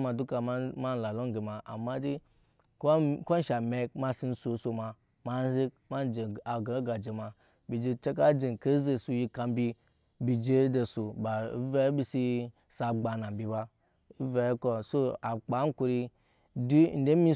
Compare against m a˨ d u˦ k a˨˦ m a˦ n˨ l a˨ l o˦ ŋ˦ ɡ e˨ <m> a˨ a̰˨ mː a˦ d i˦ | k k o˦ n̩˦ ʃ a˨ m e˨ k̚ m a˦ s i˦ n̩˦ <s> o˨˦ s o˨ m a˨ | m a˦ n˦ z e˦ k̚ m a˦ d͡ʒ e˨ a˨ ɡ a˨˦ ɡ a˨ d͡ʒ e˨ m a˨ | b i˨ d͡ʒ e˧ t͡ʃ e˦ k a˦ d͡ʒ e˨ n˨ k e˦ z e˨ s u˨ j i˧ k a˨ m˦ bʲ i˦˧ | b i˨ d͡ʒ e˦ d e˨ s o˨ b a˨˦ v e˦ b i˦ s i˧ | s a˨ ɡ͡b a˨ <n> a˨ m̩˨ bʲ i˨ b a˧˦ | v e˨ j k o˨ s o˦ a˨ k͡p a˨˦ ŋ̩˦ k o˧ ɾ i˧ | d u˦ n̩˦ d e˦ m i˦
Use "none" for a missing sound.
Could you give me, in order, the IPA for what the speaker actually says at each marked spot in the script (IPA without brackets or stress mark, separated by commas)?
m, s, n